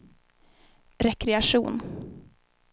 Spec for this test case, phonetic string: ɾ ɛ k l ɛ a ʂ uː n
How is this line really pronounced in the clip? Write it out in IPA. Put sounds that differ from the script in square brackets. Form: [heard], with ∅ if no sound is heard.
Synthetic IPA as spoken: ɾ ɛ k [ɾ] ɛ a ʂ uː n